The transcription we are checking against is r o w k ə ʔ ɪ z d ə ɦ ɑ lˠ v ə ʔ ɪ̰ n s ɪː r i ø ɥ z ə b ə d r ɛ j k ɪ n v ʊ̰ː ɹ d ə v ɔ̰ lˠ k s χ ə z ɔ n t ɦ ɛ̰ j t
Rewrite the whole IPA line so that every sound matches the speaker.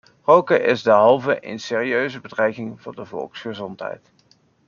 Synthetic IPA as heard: r o w k ə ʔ ɪ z d ə ɦ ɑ lˠ v ə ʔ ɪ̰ n s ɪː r i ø ɥ z ə b ə d r ɛ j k ɪ ŋ v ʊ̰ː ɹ d ə v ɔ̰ lˠ k s χ ə z ɔ n t ɦ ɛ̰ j t